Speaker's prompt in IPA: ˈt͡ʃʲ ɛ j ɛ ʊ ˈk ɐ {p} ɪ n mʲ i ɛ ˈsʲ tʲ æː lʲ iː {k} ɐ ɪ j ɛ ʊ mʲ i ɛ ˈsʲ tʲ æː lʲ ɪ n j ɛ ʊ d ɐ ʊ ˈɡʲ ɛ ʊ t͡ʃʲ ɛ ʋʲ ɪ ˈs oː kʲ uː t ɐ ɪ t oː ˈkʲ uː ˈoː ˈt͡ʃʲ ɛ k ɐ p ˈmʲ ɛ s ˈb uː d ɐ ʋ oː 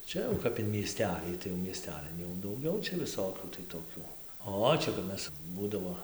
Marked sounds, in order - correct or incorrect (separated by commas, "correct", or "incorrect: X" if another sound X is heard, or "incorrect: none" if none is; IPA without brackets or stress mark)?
correct, incorrect: t